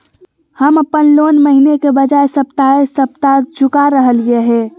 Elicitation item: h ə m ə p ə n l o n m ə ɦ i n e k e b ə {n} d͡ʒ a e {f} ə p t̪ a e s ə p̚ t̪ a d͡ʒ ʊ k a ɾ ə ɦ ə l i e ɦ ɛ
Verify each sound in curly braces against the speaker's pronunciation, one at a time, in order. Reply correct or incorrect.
incorrect: none, incorrect: s

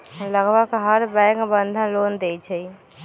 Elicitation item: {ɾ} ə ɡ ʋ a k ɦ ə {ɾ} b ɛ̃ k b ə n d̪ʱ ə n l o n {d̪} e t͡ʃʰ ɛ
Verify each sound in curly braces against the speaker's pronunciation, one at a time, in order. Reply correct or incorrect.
incorrect: l, correct, correct

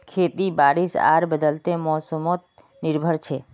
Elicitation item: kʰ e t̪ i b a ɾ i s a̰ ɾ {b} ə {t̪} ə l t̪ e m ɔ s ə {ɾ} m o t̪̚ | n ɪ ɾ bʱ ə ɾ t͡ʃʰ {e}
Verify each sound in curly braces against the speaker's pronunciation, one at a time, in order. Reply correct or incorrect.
correct, incorrect: d̪, incorrect: none, correct

